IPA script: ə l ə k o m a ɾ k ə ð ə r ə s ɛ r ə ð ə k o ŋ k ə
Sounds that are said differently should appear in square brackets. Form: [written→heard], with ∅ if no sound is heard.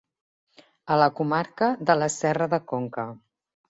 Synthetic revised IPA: ə l ə k [o→u] m a ɾ k ə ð ə [r→l] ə s ɛ r ə ð ə k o ŋ k ə